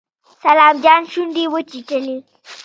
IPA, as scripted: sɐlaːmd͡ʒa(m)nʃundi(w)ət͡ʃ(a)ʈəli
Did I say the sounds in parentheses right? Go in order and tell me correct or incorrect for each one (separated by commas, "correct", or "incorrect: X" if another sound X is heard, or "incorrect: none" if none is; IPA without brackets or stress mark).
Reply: incorrect: none, correct, incorrect: i